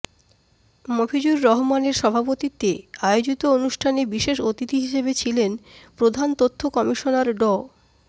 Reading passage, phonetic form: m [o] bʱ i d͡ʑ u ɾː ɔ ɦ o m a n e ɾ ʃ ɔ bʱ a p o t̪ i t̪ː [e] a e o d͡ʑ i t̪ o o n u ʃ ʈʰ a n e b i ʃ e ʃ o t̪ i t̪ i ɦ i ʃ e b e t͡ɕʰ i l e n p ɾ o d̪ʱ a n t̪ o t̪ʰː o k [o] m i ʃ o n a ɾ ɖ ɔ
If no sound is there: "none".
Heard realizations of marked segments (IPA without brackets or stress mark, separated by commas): o, e, ɔ